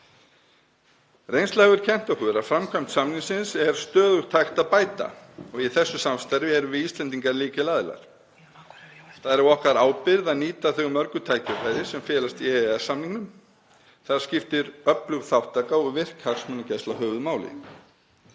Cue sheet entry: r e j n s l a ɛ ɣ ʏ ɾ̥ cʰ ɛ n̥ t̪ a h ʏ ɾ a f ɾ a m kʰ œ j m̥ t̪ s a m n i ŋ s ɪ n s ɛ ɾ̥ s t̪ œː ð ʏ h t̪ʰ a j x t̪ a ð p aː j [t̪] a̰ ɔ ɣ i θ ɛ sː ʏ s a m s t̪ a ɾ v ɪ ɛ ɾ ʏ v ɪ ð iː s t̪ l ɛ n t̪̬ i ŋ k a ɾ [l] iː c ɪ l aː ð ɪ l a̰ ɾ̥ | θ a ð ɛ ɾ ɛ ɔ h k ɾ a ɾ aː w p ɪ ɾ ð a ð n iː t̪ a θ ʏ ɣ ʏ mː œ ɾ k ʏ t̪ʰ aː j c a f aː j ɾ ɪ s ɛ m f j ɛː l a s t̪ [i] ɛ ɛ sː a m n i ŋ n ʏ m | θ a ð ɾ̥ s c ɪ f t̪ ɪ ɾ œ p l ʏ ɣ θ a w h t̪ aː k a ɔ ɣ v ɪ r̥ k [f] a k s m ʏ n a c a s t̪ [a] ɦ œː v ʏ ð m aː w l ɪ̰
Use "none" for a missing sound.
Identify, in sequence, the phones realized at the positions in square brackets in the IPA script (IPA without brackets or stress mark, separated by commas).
t̪, l, i, h, a